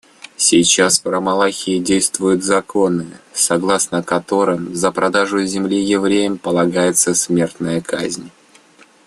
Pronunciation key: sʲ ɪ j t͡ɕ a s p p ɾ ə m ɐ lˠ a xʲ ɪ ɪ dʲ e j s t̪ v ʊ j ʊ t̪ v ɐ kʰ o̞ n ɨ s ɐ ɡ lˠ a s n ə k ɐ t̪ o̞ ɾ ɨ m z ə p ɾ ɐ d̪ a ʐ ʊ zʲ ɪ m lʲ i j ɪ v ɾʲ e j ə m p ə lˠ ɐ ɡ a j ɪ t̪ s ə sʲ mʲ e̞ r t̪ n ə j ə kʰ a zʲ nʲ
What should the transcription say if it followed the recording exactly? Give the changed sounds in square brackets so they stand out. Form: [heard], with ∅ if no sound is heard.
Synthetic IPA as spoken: sʲ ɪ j t͡ɕ a s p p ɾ ə m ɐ lˠ a xʲ ɪ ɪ dʲ e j s t̪ v ʊ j ʊ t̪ [z] ɐ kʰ o̞ n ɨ s ɐ ɡ lˠ a s n ə k ɐ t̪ o̞ ɾ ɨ m z ə p ɾ ɐ d̪ a ʐ ʊ zʲ ɪ m lʲ i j ɪ v ɾʲ e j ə m p ə lˠ ɐ ɡ a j ɪ t̪ s ə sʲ mʲ e̞ r t̪ n ə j ə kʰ a zʲ nʲ